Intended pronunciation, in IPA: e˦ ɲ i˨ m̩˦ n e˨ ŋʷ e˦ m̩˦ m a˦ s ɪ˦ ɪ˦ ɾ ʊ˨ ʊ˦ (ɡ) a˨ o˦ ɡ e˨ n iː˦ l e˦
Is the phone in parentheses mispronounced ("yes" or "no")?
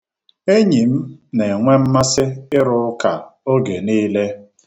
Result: yes